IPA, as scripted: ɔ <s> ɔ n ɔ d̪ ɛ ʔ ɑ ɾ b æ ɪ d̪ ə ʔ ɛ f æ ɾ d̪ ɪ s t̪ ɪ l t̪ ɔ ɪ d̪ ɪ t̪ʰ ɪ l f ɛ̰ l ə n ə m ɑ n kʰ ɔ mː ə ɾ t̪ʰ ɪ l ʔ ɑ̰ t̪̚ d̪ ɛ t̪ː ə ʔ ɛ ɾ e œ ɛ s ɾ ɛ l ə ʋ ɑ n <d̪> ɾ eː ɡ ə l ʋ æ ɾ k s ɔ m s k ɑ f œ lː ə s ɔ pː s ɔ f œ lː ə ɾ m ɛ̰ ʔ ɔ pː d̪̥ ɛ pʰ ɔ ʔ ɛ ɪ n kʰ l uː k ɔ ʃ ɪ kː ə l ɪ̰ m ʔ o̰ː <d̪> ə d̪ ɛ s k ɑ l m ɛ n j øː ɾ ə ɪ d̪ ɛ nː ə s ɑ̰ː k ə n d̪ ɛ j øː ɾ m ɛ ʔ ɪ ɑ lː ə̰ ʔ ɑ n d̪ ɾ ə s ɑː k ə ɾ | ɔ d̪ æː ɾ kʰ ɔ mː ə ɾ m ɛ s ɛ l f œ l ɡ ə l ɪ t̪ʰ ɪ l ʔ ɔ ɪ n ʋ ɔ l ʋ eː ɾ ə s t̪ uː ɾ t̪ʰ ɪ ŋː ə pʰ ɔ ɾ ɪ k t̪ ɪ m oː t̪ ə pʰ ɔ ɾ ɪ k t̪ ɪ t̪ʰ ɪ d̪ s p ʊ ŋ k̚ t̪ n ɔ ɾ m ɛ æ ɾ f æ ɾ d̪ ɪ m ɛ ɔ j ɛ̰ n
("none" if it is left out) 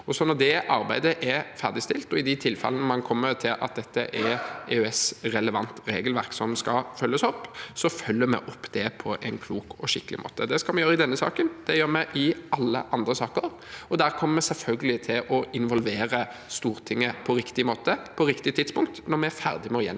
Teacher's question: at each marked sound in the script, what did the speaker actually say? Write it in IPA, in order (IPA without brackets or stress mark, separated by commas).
s, t̪, t̪